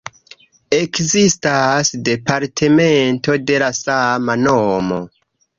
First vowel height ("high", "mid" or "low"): mid